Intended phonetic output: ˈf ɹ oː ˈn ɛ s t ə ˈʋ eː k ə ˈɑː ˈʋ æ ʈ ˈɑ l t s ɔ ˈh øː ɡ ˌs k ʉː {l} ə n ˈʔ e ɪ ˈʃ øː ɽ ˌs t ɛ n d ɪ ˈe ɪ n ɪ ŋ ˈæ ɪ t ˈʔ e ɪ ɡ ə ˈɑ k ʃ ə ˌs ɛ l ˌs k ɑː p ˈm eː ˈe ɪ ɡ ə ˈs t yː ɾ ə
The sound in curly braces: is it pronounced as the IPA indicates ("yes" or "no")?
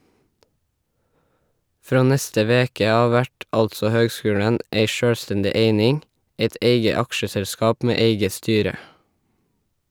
no